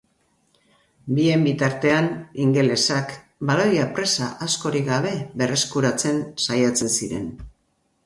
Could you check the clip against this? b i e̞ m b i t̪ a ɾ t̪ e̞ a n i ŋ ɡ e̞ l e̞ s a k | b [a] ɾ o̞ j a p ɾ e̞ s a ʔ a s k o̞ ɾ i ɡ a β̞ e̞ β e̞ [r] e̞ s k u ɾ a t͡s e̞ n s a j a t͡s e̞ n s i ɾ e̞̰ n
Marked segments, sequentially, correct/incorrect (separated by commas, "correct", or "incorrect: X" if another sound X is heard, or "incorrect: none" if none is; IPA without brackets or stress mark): correct, correct